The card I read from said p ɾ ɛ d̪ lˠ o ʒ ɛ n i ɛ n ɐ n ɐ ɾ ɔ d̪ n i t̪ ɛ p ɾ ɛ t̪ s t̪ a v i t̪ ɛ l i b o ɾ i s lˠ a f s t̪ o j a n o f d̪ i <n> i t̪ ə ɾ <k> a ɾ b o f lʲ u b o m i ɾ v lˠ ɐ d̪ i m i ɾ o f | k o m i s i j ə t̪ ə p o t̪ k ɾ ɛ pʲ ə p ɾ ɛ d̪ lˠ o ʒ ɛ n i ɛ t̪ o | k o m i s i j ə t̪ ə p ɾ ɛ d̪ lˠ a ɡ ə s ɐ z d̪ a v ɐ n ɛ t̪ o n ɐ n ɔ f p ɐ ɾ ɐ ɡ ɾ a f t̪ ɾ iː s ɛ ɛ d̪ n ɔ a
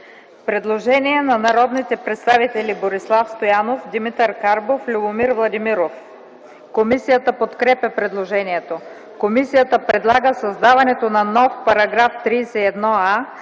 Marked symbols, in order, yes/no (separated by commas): no, yes